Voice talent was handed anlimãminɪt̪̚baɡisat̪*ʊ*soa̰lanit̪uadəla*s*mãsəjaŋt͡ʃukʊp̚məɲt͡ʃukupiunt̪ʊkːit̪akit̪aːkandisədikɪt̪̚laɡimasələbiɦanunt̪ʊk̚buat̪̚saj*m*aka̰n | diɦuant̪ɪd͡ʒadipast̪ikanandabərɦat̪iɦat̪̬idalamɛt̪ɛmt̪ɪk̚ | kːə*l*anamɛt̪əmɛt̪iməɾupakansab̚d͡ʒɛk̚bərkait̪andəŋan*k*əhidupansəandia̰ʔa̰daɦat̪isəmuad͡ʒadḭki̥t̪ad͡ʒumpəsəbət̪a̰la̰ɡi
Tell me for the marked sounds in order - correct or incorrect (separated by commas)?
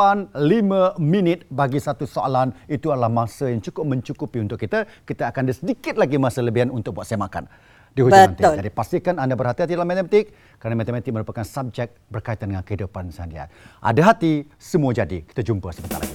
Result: incorrect, incorrect, correct, incorrect, correct